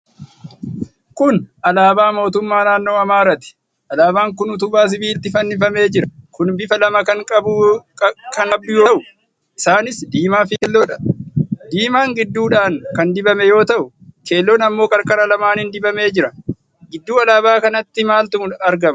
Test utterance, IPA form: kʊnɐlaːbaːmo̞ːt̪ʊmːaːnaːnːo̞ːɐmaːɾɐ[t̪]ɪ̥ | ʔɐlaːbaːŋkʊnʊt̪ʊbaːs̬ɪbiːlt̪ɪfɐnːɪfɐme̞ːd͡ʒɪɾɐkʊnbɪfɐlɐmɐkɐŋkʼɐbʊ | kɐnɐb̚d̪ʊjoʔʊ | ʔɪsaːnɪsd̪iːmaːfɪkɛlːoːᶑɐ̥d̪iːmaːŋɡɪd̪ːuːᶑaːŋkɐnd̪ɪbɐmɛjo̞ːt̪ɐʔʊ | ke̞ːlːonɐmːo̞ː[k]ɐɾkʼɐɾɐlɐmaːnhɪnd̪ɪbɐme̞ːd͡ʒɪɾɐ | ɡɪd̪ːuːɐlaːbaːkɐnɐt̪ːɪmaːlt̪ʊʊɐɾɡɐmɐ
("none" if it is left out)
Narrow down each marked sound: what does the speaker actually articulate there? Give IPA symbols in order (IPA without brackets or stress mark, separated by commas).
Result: t̪, kʼ